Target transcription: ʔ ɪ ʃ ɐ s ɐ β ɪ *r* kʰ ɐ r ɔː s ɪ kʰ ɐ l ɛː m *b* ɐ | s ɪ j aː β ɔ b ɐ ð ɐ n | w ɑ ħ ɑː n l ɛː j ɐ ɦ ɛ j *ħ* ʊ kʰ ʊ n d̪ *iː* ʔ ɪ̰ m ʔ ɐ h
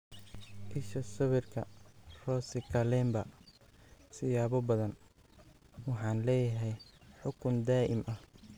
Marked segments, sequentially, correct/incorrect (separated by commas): correct, correct, correct, incorrect